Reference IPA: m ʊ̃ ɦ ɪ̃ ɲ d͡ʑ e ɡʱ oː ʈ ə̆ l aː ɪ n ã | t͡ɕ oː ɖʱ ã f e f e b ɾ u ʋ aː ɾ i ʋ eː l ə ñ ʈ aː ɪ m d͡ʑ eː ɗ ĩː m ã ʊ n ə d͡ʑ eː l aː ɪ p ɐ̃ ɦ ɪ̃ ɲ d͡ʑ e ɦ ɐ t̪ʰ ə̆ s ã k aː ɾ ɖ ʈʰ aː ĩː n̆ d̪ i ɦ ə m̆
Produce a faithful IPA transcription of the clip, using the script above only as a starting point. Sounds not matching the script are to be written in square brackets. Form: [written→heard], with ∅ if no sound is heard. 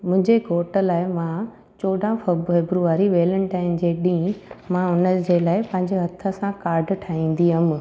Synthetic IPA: m ʊ̃ ɦ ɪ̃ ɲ d͡ʑ e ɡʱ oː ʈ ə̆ l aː ɪ [n→m] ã | t͡ɕ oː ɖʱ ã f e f e b ɾ u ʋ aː ɾ i ʋ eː l ə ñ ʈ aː ɪ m d͡ʑ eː ɗ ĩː m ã ʊ n ə d͡ʑ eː l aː ɪ p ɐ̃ ɦ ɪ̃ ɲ d͡ʑ e ɦ ɐ t̪ʰ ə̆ s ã k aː ɾ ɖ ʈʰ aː ĩː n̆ d̪ i ɦ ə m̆